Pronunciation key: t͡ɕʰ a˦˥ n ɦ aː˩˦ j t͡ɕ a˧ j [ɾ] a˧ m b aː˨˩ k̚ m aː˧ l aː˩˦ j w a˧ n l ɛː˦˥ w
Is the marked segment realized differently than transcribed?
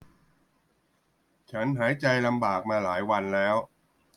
yes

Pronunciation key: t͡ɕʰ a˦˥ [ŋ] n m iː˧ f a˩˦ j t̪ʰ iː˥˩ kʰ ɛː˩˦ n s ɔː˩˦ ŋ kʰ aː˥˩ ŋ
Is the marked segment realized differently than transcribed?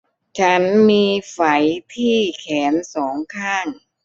yes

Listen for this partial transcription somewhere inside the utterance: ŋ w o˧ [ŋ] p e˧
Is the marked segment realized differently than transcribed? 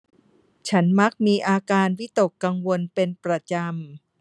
yes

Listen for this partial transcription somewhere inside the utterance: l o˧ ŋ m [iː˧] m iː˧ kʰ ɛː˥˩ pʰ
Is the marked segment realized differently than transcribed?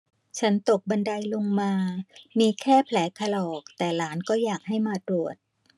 yes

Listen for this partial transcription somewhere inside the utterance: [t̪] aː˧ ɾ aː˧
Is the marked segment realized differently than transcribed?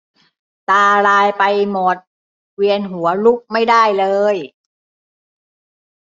no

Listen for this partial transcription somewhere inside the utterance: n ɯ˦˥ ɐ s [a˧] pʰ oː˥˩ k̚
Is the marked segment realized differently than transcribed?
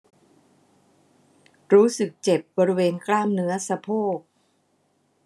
no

